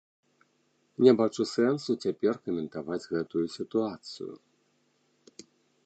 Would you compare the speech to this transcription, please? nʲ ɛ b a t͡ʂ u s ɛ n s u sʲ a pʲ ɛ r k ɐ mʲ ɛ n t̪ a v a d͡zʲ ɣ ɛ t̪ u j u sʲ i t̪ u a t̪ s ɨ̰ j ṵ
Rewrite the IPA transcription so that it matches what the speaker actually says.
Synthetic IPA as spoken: nʲ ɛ b a t͡ʂ u s ɛ n s u t͡sʲ a pʲ ɛ r k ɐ mʲ ɛ n t̪ a v a d͡zʲ ɣ ɛ t̪ u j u sʲ i t̪ u a t̪ s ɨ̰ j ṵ

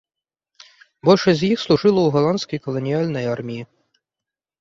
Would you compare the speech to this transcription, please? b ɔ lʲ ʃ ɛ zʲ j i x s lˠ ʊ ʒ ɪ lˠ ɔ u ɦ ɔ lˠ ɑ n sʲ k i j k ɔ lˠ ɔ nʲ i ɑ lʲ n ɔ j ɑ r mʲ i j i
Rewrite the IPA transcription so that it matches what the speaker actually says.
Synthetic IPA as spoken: b ɔ lʲ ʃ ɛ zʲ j i x s lˠ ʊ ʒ ɪ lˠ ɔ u ɦ ɔ lˠ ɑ n sʲ k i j k ɔ lˠ ɔ nʲ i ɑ lʲ n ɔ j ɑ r mʲ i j i

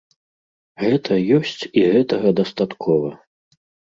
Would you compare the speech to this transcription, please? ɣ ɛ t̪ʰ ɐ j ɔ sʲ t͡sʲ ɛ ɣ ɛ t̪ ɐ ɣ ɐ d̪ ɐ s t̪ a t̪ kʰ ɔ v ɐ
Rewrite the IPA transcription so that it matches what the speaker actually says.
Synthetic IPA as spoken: ɣ ɛ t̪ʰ ɐ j ɔ sʲ t͡sʲ i ɣ ɛ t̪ ɐ ɣ ɐ d̪ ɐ s t̪ a t̪ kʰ ɔ v ɐ

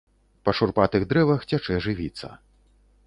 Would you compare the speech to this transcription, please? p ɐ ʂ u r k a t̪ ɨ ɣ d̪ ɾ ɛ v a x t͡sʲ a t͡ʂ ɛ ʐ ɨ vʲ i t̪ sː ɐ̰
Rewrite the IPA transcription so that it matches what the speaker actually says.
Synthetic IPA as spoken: p ɐ ʂ u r p a t̪ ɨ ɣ d̪ ɾ ɛ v ɐ x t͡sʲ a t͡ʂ ɛ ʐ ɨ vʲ i t̪ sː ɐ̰

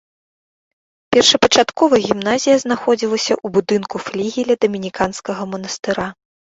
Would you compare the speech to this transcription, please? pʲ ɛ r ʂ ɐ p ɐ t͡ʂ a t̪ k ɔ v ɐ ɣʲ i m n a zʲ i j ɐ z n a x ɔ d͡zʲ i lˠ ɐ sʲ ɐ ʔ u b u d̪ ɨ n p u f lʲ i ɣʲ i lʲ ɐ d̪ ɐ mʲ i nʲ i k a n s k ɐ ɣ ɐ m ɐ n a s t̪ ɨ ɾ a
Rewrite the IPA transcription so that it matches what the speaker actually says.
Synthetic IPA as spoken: pʲ ɛ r ʂ ɐ p ɐ t͡ʂ a t̪ k ɔ v ɐ ɣʲ i m n a zʲ i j ɐ z n a x ɔ d͡zʲ i lˠ ɐ sʲ ɐ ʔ u b u d̪ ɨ n k u f lʲ i ɣʲ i lʲ ɐ d̪ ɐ mʲ i nʲ i k a n s k ɐ ɣ ɐ m ɐ n ɐ s t̪ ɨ ɾ a

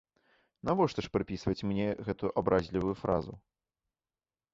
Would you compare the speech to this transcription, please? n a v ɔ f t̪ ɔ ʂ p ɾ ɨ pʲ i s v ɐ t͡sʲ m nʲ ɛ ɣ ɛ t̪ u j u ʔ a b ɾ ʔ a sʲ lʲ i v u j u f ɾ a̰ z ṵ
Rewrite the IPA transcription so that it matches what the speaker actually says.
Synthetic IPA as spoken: n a v ɔ ʂ t̪ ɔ ʂ p ɾ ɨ pʲ i s v ɐ t͡sʲ m nʲ ɛ ɣ ɛ t̪ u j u ʔ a b ɾ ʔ a zʲ lʲ i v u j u f ɾ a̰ z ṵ

